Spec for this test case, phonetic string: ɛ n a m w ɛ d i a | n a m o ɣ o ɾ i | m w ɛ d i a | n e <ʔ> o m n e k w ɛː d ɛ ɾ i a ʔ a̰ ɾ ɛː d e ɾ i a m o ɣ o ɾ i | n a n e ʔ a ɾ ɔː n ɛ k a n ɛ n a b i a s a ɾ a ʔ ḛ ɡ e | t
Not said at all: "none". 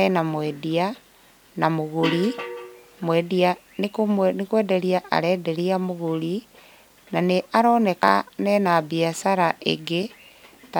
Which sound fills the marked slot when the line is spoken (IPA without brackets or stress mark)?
k